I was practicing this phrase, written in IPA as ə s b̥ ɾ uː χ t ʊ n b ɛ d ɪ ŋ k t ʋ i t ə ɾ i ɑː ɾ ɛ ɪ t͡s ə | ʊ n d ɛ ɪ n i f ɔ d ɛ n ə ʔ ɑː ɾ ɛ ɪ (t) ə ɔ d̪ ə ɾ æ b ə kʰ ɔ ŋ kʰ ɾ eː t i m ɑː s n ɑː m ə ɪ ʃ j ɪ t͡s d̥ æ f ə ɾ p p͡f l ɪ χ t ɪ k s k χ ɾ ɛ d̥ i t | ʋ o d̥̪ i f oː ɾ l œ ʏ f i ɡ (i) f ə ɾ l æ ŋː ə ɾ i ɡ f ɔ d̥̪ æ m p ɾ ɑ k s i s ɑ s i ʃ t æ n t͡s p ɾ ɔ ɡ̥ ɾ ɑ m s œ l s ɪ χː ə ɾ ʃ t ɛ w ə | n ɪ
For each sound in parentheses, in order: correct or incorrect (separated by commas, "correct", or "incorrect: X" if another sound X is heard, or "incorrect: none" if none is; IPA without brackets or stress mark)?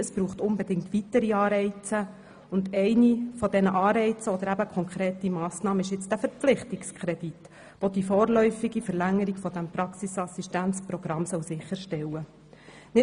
incorrect: t͡s, correct